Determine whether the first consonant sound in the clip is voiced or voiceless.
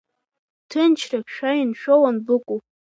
voiceless